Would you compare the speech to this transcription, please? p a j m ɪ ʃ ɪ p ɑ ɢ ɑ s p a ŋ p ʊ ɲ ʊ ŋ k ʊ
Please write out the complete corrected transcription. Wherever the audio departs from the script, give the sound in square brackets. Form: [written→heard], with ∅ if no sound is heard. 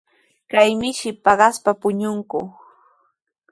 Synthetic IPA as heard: [p→k] a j m ɪ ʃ ɪ p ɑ ɢ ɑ s p a [ŋ→∅] p ʊ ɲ ʊ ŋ k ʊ

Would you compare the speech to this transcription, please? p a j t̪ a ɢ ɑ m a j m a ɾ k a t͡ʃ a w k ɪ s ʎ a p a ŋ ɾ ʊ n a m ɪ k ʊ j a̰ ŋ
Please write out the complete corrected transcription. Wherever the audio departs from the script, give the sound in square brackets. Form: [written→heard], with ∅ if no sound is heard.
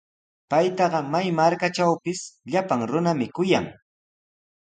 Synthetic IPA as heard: p a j t̪ [a→ɑ] ɢ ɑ m a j m a ɾ k a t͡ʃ a w [k→p] ɪ s ʎ a p a ŋ ɾ ʊ n a m ɪ k ʊ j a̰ ŋ

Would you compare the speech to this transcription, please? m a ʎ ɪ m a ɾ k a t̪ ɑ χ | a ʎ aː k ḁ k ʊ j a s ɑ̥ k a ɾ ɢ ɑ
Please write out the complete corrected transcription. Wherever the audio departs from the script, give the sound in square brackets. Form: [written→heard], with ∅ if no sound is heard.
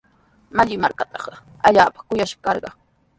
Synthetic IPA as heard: m a ʎ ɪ m a ɾ k a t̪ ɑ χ | a ʎ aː [k→p] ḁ k ʊ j a [s→ʃ] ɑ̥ k [a→ɑ] ɾ ɢ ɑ

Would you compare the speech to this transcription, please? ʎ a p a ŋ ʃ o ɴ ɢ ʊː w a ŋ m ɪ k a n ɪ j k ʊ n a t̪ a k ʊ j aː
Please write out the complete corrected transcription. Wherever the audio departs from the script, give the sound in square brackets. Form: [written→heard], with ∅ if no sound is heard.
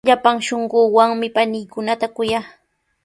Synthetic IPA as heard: ʎ a p a ŋ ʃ o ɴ ɢ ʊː w a ŋ m ɪ [k→p] a n ɪ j k ʊ n a t̪ a k ʊ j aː

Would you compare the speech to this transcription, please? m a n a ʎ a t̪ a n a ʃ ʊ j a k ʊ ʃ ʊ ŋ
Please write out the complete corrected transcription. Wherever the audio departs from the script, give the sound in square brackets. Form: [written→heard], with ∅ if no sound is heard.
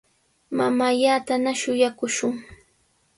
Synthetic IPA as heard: m a [n→m] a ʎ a t̪ a n a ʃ ʊ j a k ʊ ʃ ʊ ŋ

